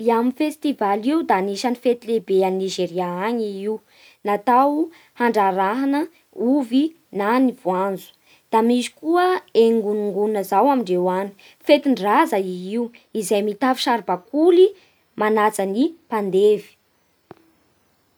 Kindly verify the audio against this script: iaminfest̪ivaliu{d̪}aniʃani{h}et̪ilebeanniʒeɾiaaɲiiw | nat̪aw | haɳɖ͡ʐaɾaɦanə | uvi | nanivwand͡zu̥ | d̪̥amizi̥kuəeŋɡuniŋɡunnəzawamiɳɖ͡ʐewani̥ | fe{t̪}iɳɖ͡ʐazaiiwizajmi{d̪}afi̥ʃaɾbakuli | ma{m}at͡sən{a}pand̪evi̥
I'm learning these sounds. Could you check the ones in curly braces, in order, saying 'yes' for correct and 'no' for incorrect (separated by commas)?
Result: yes, no, yes, no, no, no